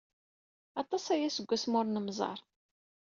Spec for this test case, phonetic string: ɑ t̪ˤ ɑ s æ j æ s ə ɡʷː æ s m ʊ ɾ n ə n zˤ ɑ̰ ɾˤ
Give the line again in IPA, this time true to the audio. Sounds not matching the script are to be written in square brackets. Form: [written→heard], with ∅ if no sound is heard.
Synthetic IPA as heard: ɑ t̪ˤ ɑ s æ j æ s ə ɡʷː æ s m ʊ ɾ n ə [n→m] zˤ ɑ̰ ɾˤ

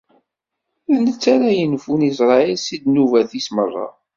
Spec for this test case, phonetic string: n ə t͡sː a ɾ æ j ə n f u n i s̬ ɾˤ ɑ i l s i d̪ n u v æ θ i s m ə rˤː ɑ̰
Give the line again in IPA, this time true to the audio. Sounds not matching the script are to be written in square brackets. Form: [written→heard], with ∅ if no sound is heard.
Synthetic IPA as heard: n ə t͡sː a ɾ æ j ə n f u n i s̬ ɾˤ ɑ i l s i d̪ n u v æ θ i s m ə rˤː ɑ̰

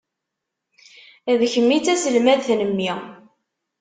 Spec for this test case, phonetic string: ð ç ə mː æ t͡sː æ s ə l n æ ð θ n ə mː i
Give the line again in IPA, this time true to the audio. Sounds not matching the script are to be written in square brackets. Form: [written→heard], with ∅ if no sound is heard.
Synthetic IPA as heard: ð ç ə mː [æ→i] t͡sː æ s ə l [n→m] æ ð θ n ə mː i

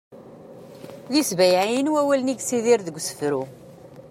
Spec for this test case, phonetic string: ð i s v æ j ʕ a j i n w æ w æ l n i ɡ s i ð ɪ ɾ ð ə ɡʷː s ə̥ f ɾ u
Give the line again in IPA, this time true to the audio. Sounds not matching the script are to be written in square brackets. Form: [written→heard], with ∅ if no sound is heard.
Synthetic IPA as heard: ð i s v æ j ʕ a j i n w æ w æ l n i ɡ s i ð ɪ ɾ ð ə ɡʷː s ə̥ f ɾ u

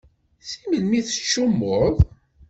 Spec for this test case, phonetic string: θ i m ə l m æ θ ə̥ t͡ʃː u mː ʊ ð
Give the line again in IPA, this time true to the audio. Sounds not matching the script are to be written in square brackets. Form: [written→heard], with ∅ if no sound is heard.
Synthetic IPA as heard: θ i m ə l m [æ→i] θ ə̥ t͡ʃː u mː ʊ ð

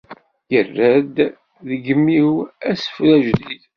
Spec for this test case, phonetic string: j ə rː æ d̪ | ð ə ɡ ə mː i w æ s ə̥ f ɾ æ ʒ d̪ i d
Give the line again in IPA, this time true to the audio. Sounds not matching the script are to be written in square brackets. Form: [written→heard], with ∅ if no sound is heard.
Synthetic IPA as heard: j ə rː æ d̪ | ð ə ɡ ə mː i w æ s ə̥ f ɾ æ ʒ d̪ i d

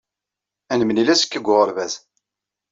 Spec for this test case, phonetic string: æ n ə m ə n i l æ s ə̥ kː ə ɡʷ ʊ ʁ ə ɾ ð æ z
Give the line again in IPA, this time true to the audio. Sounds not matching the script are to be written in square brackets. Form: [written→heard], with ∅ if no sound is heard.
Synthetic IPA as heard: æ n ə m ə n i l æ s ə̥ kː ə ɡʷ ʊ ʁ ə ɾ [ð→v] æ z

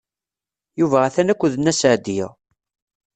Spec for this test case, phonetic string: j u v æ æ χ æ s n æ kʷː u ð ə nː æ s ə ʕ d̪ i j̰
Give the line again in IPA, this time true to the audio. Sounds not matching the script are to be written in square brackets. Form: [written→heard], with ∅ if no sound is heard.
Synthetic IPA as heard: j u v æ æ [χ→θ] æ [s→∅] n æ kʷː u ð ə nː æ s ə ʕ d̪ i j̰

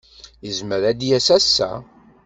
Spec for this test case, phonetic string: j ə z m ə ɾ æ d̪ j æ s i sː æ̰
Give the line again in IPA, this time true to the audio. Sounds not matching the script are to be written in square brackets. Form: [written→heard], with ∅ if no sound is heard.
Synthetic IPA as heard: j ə z m ə ɾ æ d̪ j æ s [i→æ] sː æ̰

